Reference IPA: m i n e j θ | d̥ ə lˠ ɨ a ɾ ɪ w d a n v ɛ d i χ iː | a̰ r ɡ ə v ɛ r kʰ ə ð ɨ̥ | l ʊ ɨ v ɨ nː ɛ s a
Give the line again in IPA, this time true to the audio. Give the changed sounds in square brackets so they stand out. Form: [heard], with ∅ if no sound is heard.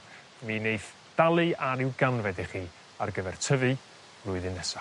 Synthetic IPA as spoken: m i n e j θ | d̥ [a] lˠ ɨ a ɾ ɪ w [ɡ] a n v ɛ d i χ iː | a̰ r ɡ ə v ɛ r [tʰ] ə [v] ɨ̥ | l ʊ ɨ [ð] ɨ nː ɛ s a